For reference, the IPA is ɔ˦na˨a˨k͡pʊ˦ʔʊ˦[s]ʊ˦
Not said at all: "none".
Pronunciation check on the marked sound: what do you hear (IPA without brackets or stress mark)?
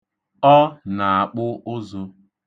z